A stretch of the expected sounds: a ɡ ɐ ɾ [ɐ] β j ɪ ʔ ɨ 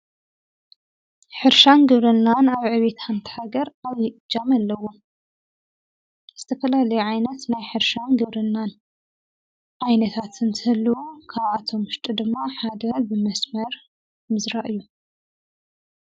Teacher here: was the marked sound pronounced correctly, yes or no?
no